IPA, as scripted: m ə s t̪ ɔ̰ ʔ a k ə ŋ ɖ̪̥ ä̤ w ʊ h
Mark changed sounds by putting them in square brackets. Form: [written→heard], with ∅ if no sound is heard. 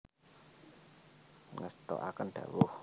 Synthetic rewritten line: [m→ŋ] ə s t̪ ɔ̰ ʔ a k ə [ŋ→n] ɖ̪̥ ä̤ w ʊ h